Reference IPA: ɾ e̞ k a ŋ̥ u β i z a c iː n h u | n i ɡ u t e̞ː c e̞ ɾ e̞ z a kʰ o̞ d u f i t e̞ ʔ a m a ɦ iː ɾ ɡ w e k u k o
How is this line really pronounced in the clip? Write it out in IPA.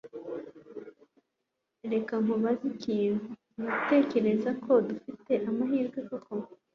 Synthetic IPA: ɾ e̞ k a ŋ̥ u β a z i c iː n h u | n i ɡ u t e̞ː c e̞ ɾ e̞ z a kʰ o̞ d u f i t e̞ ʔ a m a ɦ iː ɾ ɡ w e k o k o